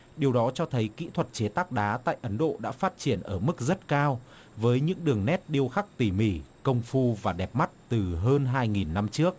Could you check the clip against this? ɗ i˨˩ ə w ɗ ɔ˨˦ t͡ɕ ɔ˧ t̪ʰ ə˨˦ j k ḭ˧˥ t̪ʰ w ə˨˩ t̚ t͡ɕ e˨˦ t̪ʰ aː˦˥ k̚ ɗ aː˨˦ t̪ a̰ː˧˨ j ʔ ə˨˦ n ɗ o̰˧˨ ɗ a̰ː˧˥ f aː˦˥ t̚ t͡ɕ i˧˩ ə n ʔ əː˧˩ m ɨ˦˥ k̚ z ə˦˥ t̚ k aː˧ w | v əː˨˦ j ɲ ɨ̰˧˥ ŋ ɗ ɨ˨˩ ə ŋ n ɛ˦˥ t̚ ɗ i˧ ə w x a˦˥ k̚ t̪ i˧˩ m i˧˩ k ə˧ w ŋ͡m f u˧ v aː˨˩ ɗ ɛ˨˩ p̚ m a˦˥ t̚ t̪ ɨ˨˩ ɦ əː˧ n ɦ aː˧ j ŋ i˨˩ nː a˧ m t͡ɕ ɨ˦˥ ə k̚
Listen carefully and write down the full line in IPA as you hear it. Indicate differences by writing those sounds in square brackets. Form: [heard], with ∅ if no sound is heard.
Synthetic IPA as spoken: ɗ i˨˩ ə w ɗ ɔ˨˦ t͡ɕ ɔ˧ t̪ʰ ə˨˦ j k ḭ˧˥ t̪ʰ w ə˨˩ t̚ t͡ɕ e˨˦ [t̪] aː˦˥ k̚ ɗ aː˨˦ t̪ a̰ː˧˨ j ʔ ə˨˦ n ɗ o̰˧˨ ɗ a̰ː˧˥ f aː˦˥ t̚ t͡ɕ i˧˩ ə n ʔ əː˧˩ m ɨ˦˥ k̚ z ə˦˥ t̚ k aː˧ w | v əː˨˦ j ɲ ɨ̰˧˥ ŋ ɗ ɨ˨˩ ə ŋ n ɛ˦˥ t̚ ɗ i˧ ə w x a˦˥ k̚ t̪ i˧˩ m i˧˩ k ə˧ w ŋ͡m f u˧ v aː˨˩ ɗ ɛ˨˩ p̚ m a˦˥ t̚ t̪ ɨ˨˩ ɦ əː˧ n ɦ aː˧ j ŋ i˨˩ nː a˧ m t͡ɕ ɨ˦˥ ə k̚